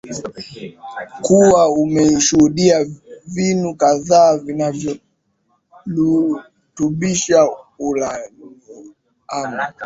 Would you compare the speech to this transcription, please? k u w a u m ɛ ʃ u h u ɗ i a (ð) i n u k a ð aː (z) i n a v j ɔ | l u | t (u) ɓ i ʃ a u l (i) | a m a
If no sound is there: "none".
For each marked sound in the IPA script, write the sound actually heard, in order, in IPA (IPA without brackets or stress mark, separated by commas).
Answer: v, v, u, a